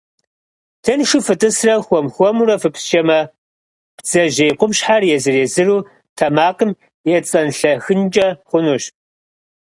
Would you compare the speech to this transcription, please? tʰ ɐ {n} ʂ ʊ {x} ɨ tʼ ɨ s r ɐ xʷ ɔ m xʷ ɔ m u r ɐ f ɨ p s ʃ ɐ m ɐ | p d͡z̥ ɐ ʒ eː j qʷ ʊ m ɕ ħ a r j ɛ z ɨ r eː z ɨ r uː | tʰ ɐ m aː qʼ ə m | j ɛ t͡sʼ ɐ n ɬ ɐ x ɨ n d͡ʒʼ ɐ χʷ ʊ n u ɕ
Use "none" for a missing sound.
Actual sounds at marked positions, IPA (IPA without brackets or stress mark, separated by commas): n, f